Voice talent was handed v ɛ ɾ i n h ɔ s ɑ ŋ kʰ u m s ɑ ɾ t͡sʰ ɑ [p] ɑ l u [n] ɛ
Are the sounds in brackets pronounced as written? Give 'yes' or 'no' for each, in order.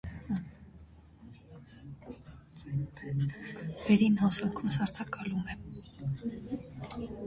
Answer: no, no

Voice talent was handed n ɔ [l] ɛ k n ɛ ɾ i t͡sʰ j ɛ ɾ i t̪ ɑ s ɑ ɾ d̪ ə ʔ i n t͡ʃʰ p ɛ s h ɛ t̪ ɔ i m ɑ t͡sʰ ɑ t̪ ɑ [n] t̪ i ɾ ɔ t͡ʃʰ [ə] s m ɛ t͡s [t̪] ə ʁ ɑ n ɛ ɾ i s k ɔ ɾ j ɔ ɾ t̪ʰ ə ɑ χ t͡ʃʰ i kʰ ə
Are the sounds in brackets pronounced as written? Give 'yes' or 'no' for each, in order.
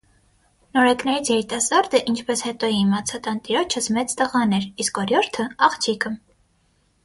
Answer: no, yes, yes, yes

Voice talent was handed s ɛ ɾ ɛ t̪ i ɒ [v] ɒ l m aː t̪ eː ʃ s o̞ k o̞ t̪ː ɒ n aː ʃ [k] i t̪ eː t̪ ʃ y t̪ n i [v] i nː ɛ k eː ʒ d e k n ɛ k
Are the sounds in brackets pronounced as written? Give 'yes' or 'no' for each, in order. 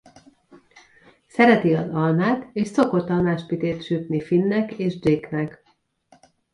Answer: no, no, no

